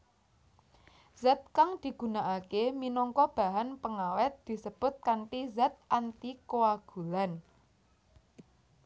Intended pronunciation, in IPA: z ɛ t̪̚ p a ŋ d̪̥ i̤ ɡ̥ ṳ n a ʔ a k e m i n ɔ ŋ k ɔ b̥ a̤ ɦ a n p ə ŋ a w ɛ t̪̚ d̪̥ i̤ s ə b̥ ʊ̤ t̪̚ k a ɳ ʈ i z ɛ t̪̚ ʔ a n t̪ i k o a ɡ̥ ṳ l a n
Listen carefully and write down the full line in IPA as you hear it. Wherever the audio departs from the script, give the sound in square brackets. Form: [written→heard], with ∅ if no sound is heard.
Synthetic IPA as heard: z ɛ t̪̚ [p→k] a ŋ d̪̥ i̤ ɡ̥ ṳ n a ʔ a k e m i n ɔ ŋ k ɔ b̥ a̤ ɦ a n p ə ŋ a w ɛ t̪̚ d̪̥ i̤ s ə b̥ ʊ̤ t̪̚ k a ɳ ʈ i z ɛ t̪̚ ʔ a n t̪ i k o a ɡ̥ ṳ l a n